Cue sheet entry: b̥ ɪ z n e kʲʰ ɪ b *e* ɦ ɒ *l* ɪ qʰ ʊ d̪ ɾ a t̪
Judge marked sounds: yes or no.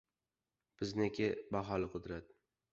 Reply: no, yes

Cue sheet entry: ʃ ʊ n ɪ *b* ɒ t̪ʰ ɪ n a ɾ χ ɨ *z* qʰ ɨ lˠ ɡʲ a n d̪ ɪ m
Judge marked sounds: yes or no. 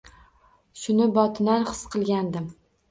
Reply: yes, no

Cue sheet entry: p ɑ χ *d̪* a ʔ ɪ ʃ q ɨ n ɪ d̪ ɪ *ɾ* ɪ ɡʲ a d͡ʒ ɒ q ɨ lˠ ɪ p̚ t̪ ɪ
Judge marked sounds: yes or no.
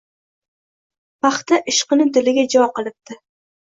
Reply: no, no

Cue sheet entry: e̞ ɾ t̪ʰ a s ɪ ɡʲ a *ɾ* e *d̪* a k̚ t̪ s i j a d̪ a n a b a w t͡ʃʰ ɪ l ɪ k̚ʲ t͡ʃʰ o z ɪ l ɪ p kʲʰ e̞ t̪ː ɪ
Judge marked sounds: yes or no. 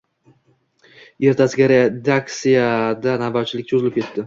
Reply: yes, yes

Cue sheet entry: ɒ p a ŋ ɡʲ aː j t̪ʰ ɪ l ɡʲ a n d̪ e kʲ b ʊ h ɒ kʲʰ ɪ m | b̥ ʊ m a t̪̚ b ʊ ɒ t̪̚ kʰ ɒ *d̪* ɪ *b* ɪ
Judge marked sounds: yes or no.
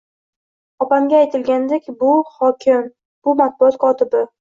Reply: no, yes

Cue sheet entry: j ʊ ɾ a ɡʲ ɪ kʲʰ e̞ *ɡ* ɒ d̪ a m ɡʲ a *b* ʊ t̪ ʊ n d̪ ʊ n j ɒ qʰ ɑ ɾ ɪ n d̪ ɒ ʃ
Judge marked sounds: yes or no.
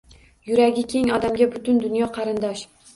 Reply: no, yes

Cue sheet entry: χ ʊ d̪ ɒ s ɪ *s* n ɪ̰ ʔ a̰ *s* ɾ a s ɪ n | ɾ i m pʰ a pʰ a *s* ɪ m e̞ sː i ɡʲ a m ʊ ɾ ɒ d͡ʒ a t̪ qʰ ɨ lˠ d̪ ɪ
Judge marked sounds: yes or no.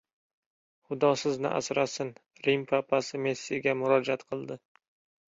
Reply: no, yes, yes

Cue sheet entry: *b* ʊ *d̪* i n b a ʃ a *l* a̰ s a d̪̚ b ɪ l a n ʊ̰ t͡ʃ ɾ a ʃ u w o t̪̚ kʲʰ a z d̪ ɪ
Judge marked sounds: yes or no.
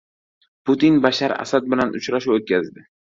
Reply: no, no, no

